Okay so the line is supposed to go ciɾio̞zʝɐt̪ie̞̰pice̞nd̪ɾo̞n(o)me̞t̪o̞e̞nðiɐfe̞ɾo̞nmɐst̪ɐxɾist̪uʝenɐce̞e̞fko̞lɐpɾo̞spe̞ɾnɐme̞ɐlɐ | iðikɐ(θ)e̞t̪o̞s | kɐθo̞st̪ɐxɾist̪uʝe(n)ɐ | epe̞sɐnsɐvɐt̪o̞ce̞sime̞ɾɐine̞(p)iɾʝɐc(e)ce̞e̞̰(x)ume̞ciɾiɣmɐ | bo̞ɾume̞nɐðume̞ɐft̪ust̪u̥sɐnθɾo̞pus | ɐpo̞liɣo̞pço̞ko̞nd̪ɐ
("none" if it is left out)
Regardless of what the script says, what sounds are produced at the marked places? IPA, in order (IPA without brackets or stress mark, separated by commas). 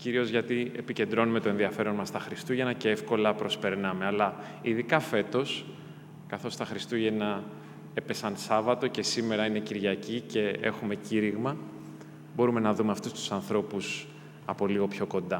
u, f, n, c, i, x